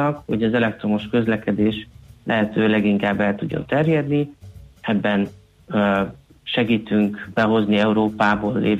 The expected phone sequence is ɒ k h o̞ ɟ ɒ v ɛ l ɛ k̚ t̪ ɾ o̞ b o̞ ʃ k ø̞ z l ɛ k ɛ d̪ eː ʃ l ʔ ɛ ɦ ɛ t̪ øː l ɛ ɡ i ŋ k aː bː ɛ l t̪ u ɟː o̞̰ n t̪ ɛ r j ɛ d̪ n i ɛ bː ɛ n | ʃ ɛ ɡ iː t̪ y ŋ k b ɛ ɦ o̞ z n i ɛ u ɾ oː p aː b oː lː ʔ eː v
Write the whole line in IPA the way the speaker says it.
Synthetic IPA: ɒ k h o̞ ɟ ɒ z ɛ l ɛ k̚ t̪ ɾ o̞ m o̞ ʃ k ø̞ z l ɛ k ɛ d̪ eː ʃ l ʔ ɛ ɦ ɛ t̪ øː l ɛ ɡ i ŋ k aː bː ɛ l t̪ u ɟː o̞̰ n t̪ ɛ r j ɛ d̪ n i ɛ bː ɛ n | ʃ ɛ ɡ iː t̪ y ŋ k b ɛ ɦ o̞ z n i ɛ u ɾ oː p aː b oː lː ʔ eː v